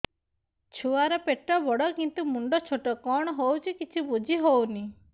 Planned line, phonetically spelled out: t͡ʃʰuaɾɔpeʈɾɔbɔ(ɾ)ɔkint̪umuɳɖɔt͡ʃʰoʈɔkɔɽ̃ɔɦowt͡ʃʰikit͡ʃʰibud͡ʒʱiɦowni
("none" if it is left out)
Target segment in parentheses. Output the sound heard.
ɽ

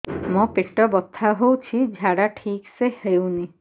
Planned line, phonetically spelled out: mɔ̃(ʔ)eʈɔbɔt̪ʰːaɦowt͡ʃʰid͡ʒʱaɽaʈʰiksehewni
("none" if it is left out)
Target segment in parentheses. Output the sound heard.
p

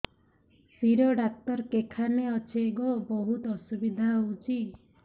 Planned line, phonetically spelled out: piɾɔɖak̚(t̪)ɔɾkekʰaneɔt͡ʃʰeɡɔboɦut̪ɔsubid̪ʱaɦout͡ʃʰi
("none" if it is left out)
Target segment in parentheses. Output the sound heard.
t̪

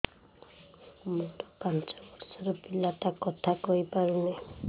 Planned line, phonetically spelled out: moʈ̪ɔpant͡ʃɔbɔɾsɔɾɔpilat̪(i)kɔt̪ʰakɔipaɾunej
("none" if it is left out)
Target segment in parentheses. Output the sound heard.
a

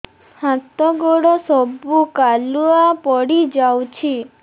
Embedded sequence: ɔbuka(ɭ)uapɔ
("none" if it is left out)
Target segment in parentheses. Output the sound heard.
l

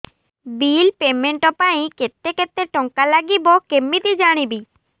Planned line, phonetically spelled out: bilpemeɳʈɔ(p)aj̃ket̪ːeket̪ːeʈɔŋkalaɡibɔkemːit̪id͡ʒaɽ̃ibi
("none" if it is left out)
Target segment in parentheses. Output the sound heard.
p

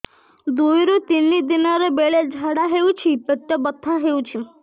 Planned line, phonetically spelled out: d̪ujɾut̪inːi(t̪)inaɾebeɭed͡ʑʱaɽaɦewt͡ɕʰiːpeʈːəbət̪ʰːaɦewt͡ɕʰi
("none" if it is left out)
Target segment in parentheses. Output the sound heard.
d̪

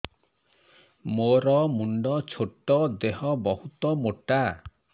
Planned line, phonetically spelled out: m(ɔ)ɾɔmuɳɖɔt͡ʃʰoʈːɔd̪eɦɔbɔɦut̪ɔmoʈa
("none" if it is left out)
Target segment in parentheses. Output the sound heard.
o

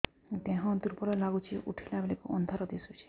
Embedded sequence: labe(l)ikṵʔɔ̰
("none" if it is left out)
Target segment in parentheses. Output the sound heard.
l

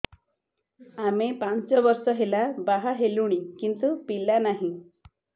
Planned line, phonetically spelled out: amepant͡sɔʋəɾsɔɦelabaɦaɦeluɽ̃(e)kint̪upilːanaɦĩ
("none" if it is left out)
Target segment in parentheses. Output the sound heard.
i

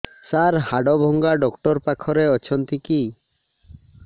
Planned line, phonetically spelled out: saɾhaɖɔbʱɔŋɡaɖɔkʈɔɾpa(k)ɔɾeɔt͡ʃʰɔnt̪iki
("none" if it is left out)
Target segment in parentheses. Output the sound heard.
kʰ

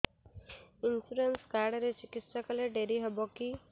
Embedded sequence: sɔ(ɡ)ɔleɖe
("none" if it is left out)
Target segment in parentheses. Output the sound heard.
k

